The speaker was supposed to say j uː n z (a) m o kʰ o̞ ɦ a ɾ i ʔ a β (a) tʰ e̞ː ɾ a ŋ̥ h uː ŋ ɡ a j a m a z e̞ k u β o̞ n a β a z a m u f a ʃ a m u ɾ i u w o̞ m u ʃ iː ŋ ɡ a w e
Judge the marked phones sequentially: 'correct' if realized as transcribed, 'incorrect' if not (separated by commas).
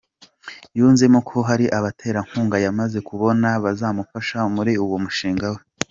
incorrect, correct